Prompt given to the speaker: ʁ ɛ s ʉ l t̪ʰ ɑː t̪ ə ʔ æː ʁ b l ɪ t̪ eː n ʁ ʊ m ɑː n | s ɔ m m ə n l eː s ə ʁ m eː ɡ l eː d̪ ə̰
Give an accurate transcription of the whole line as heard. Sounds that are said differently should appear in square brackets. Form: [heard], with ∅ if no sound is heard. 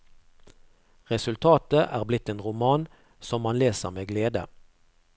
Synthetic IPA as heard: ʁ ɛ s ʉ l t̪ʰ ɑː t̪ ə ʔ æː ʁ b l ɪ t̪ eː n ʁ ʊ m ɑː n | s ɔ m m [ɑ] n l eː s ə ʁ m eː ɡ l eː d̪ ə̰

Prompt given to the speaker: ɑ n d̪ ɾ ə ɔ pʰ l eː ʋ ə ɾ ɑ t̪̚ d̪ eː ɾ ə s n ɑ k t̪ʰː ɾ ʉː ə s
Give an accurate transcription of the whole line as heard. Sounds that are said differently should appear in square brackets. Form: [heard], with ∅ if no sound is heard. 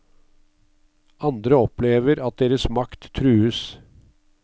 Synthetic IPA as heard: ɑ n d̪ ɾ ə ɔ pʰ l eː ʋ ə ɾ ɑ t̪̚ d̪ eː ɾ ə s [m] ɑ k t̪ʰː ɾ ʉː ə s

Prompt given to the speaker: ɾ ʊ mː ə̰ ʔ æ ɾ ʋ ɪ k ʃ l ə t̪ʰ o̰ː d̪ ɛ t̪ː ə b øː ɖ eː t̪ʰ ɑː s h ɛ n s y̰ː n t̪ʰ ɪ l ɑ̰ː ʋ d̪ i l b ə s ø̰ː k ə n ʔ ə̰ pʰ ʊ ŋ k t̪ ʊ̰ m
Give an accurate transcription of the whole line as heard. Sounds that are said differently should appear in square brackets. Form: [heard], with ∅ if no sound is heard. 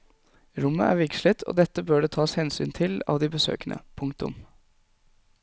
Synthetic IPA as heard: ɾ ʊ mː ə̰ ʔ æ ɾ ʋ ɪ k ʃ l ə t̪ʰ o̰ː d̪ ɛ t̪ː ə b øː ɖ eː t̪ʰ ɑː s h ɛ n s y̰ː n t̪ʰ ɪ l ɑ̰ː ʋ d̪ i [∅] b ə s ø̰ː k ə n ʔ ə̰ pʰ ʊ ŋ k t̪ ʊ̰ m

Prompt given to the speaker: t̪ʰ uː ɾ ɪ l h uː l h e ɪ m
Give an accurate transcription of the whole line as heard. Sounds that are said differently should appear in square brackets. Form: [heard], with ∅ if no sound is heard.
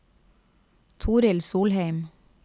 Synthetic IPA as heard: t̪ʰ uː ɾ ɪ l [s] uː l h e ɪ m

